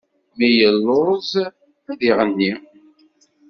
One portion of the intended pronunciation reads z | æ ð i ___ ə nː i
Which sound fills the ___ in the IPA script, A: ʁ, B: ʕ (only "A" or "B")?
A